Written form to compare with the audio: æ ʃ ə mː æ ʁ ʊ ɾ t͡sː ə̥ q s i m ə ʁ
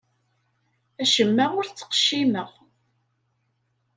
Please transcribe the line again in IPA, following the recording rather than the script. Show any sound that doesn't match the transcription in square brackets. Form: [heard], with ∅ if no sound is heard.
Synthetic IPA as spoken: æ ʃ ə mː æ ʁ ʊ ɾ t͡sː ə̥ q [ʃ] i m ə ʁ